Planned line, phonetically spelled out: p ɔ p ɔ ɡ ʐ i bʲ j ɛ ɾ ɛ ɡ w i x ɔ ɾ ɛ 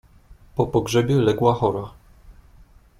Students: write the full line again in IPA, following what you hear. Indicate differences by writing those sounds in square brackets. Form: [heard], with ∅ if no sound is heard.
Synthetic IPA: p ɔ p ɔ ɡ ʐ [ɛ] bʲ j ɛ [l] ɛ ɡ w [a] x ɔ ɾ [a]